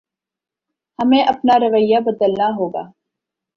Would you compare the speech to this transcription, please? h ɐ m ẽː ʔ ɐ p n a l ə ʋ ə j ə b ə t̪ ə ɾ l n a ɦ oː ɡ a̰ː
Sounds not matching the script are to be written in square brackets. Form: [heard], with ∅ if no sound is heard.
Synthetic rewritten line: h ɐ m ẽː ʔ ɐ p n a [ɾ] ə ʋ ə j [a] b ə [d̪] ə [∅] l n a ɦ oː ɡ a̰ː